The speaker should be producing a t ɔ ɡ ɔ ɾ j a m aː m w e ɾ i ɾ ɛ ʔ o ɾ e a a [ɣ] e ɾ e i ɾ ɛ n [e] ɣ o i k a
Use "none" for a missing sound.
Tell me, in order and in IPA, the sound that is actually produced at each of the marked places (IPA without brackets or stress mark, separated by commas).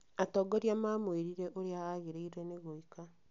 ɣ, e